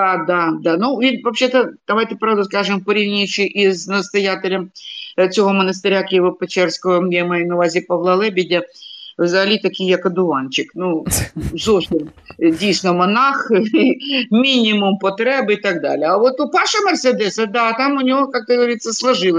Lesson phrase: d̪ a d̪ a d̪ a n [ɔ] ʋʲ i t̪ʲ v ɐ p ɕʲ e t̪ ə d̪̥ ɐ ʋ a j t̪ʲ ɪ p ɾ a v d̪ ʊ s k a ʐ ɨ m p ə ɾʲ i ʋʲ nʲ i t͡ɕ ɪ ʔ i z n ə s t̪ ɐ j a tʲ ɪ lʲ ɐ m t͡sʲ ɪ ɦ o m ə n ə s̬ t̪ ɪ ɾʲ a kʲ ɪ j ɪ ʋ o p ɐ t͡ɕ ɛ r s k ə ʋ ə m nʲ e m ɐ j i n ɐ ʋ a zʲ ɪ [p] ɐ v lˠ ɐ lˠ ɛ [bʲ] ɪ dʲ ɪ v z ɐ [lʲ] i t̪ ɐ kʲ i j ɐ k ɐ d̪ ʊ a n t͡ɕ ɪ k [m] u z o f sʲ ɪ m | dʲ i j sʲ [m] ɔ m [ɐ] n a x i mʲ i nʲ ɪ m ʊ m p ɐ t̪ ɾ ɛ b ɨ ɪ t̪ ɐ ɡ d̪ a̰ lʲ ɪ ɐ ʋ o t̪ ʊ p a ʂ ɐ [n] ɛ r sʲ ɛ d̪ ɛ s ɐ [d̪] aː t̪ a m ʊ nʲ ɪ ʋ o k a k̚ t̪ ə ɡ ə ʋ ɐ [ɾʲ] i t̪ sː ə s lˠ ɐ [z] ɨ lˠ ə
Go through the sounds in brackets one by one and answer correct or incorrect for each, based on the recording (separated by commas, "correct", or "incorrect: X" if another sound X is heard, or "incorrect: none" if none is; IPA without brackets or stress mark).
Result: incorrect: u, correct, correct, correct, incorrect: n, incorrect: n, correct, incorrect: m, correct, correct, incorrect: ʐ